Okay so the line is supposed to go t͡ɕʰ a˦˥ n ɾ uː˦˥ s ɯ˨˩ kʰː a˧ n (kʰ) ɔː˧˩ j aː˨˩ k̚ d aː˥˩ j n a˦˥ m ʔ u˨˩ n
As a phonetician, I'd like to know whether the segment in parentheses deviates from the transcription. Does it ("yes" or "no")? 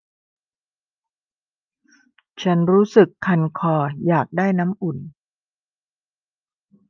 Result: no